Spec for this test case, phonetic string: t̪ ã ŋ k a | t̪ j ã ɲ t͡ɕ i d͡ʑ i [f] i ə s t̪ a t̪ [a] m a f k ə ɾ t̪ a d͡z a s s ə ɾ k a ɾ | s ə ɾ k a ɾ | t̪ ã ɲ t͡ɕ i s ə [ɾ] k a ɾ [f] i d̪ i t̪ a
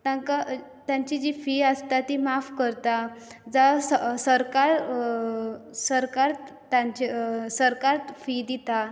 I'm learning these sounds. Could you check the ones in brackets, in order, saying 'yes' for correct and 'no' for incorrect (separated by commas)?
yes, no, yes, yes